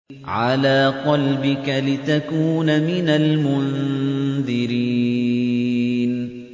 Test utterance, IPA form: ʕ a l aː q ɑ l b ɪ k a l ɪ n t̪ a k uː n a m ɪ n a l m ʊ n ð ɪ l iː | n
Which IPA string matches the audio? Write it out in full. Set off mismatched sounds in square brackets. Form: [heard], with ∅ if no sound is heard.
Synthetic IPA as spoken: ʕ a l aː q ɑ l b ɪ k a l ɪ [∅] t̪ a k uː n a m ɪ n a l m ʊ n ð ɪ [ɾ] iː | n